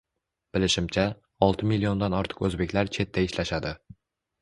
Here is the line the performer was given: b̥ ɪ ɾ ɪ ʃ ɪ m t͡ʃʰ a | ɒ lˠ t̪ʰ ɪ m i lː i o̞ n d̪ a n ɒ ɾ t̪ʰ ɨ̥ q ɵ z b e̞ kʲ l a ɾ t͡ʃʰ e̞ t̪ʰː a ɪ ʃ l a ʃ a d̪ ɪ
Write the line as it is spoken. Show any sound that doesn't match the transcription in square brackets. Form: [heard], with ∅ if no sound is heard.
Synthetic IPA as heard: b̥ ɪ [l] ɪ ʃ ɪ m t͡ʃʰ a | ɒ lˠ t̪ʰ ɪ m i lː i o̞ n d̪ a n ɒ ɾ t̪ʰ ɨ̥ q ɵ z b e̞ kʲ l a ɾ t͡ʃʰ e̞ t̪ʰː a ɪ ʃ l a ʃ a d̪ ɪ